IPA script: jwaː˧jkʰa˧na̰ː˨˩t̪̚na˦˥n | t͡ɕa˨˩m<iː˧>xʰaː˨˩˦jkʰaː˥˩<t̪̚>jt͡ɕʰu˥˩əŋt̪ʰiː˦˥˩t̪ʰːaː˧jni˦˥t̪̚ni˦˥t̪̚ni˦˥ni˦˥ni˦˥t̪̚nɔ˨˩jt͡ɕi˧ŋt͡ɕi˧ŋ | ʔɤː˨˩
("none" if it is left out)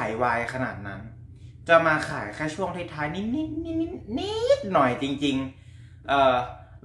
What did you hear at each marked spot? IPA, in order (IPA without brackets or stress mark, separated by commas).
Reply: aː˧, none